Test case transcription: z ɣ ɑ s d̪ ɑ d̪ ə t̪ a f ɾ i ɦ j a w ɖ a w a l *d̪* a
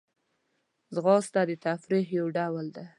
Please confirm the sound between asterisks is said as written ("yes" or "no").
yes